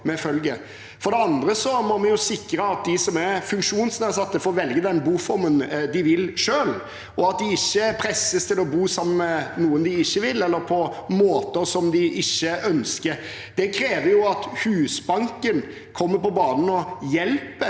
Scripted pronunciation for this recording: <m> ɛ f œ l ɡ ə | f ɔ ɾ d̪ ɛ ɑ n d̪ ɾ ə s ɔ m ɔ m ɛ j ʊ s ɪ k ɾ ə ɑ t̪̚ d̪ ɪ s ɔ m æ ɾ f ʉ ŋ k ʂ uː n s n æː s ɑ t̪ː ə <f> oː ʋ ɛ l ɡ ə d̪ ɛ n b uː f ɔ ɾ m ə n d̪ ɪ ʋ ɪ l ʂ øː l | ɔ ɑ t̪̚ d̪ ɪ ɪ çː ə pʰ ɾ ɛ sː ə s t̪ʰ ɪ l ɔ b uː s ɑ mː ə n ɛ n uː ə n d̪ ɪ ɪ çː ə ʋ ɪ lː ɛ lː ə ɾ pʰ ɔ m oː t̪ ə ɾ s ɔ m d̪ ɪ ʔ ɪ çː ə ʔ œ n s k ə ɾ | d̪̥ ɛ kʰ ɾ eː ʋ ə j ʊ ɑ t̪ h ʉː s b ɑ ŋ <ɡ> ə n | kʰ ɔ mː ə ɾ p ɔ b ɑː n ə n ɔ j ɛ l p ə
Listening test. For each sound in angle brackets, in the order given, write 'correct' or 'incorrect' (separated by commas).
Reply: correct, correct, incorrect